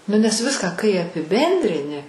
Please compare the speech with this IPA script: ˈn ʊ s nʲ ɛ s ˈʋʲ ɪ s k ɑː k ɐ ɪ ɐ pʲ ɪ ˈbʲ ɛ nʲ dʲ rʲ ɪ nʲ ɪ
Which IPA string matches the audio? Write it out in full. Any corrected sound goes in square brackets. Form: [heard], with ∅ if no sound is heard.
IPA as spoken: ˈn ʊ [∅] nʲ ɛ s ˈʋʲ ɪ s k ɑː k ɐ ɪ ɐ pʲ ɪ ˈbʲ ɛ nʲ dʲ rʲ ɪ nʲ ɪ